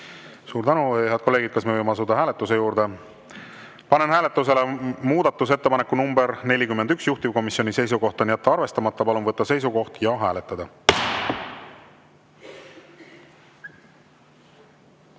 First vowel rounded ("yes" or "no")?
yes